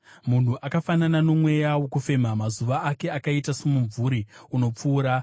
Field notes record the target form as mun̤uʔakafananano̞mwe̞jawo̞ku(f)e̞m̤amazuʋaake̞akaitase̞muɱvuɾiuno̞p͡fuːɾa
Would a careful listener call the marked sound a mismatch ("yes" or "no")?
no